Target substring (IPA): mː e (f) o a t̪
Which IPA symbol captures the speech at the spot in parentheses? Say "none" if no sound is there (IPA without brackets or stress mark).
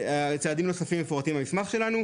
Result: f